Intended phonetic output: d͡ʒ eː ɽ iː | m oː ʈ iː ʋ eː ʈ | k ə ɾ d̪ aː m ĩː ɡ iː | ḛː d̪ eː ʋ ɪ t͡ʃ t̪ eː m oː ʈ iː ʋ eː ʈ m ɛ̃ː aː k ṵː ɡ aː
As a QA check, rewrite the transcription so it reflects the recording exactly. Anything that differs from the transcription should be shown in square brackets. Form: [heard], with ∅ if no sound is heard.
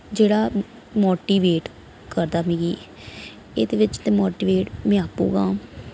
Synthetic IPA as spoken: d͡ʒ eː ɽ [aː] | m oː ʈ iː ʋ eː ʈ | k ə ɾ d̪ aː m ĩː ɡ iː | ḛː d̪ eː ʋ ɪ t͡ʃ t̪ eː m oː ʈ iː ʋ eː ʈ m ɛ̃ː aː [p] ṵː ɡ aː